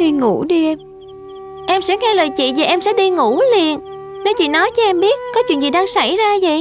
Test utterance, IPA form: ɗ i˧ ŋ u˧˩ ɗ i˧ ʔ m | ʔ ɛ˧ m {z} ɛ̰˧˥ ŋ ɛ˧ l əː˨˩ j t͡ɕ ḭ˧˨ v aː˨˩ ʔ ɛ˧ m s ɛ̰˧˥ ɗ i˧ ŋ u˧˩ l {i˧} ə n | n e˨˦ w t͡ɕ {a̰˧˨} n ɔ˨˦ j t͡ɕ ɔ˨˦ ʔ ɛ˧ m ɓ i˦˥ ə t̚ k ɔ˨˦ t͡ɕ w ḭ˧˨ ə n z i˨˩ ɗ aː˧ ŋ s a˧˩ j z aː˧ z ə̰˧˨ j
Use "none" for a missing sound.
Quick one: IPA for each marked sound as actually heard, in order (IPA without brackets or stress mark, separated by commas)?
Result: s, i˨˩, ḭ˧˨